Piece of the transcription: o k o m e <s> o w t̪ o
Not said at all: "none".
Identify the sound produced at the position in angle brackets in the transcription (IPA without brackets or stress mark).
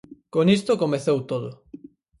θ